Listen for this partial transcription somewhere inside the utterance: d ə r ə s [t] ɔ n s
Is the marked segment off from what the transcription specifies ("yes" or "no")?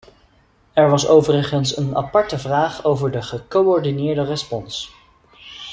yes